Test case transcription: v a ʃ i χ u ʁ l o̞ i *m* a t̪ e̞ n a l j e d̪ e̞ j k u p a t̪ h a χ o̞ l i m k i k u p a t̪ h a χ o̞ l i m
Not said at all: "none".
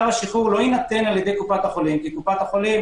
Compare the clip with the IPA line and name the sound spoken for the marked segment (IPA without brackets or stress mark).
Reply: n